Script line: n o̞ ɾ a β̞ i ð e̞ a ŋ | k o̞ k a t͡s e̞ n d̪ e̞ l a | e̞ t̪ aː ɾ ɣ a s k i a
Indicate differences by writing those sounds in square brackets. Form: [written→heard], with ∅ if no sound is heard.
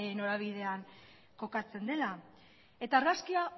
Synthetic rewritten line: n o̞ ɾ a β̞ i ð e̞ a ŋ | k o̞ k a t͡s e̞ n d̪ e̞ l a | e̞ t̪ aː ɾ ɣ a s k i a